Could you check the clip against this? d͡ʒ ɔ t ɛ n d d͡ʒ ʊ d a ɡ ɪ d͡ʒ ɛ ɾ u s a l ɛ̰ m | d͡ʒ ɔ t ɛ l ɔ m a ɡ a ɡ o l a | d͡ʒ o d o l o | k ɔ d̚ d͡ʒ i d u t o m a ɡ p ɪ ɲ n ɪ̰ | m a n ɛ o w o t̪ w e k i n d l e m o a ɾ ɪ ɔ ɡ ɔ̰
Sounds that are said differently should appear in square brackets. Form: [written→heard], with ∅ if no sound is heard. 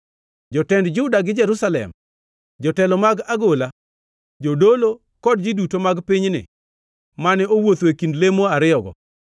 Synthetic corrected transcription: d͡ʒ ɔ t ɛ n d d͡ʒ ʊ d a ɡ ɪ d͡ʒ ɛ ɾ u s a l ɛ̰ m | d͡ʒ ɔ t ɛ l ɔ m a ɡ a ɡ o l a | d͡ʒ o d o l o | k ɔ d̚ d͡ʒ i d u t o m a ɡ p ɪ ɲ n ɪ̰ | m a n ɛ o w o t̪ w e k i n d l e m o a ɾ ɪ ɔ ɡ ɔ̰